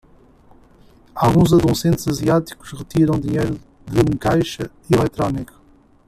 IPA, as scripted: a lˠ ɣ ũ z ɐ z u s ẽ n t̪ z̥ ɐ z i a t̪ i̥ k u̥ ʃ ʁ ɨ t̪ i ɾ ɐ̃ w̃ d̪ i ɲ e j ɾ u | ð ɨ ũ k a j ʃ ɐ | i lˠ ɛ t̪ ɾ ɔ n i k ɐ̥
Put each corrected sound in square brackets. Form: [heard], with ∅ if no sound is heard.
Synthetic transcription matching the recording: a lˠ ɣ ũ z ɐ [ð] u s ẽ n t̪ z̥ ɐ z i a t̪ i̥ k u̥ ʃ ʁ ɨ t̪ i ɾ ɐ̃ w̃ d̪ i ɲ e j ɾ u | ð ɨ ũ k a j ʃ ɐ | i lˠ ɛ t̪ ɾ ɔ n i k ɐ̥